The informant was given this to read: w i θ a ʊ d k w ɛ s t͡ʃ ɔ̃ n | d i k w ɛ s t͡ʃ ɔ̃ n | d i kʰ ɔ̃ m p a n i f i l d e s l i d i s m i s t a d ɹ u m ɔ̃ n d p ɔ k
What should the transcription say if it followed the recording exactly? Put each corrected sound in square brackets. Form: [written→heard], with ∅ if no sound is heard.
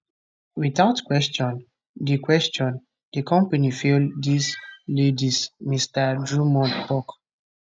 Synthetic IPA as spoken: w i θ a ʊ [d→t] k w ɛ s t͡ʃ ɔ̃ n | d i k w ɛ s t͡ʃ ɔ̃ n | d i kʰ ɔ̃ m p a n i f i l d [e→i] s l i d i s m i s t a d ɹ u m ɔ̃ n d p ɔ k